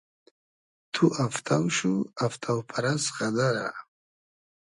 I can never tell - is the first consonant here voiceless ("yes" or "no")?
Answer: yes